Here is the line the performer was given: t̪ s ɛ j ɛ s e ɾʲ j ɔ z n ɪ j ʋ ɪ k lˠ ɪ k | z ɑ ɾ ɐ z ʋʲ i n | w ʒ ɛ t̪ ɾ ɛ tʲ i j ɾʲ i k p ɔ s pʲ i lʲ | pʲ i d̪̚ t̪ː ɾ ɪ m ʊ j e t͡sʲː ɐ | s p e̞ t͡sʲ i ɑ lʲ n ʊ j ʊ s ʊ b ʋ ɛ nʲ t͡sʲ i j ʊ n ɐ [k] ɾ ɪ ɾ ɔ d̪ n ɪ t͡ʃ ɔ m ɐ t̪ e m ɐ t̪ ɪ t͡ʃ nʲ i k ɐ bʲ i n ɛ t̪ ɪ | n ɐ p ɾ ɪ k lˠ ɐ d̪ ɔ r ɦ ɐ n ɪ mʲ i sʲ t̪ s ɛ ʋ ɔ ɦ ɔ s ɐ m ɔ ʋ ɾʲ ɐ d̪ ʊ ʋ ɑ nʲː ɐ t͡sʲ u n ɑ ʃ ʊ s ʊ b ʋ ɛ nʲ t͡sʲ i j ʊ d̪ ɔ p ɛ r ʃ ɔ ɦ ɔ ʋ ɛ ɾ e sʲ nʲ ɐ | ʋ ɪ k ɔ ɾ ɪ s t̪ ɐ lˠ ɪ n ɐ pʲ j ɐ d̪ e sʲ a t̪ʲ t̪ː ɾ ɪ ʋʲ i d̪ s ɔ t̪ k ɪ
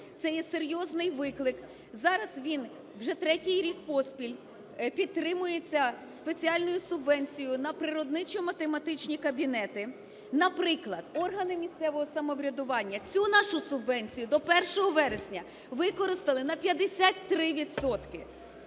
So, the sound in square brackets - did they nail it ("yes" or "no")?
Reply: no